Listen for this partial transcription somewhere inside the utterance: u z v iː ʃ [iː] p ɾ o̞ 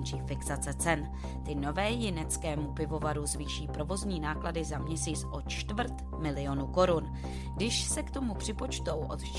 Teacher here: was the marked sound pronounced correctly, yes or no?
yes